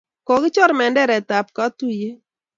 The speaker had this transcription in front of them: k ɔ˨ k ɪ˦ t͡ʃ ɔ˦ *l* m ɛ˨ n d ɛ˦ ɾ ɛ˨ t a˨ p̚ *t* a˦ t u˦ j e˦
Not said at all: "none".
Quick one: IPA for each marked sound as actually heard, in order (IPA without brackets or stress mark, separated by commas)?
ɾ, k